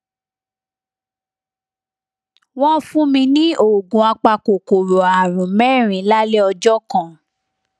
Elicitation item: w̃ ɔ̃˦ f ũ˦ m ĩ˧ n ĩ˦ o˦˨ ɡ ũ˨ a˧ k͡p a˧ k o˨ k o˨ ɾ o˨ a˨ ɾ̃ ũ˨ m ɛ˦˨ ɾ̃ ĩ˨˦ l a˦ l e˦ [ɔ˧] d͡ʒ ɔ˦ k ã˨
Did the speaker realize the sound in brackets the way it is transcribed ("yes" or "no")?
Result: yes